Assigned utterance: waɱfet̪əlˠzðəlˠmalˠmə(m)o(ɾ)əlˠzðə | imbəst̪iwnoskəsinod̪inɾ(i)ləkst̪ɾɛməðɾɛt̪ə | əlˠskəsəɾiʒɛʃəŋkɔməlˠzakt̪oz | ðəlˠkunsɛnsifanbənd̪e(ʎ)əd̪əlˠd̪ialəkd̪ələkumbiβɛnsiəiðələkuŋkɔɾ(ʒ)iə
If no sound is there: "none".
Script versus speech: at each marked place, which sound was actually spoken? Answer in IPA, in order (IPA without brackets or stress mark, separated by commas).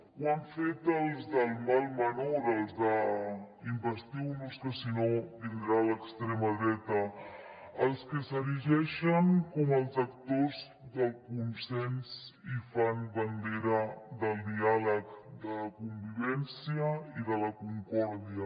n, ɾ, a, ɾ, ð